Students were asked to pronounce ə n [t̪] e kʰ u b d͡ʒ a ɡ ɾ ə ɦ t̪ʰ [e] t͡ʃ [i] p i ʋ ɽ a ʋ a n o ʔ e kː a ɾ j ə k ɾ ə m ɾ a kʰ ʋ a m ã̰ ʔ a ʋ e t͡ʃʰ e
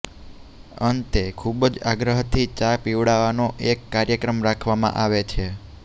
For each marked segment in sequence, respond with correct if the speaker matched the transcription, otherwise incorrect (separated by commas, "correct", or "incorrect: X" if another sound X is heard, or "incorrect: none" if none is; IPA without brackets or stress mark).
correct, incorrect: i, incorrect: a